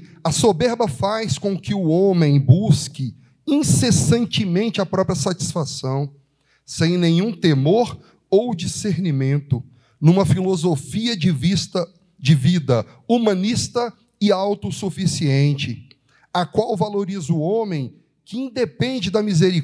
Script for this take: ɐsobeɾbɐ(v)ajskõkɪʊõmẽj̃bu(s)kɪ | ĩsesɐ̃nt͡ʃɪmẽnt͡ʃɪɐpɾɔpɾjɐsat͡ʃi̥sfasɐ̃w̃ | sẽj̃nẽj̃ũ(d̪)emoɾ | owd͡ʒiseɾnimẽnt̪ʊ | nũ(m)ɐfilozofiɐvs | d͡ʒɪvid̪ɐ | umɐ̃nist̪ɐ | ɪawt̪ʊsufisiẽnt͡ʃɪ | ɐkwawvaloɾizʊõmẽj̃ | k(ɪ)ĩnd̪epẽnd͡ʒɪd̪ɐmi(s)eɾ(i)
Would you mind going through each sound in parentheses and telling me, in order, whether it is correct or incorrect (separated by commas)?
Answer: incorrect, correct, incorrect, correct, correct, incorrect, correct